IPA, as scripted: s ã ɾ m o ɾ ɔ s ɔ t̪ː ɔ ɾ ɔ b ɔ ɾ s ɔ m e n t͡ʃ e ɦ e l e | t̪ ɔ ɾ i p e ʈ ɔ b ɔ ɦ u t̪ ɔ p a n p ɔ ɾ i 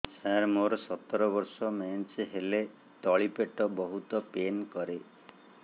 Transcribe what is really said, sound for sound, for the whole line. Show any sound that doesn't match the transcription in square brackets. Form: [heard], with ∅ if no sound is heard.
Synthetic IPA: s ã ɾ m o ɾ ɔ s ɔ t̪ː ɔ ɾ ɔ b ɔ ɾ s ɔ m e n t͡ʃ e ɦ e l e | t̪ ɔ [ɭ] i p e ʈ ɔ b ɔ ɦ u t̪ ɔ p [e] n [k] ɔ ɾ [e]